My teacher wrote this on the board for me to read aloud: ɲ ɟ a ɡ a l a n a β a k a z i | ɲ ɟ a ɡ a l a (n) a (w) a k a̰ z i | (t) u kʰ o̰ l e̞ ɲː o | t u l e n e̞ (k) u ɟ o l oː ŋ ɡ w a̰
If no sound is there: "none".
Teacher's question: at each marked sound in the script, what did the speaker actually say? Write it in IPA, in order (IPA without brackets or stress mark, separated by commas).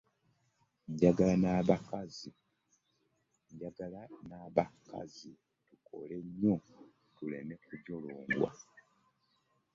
n, β, t, k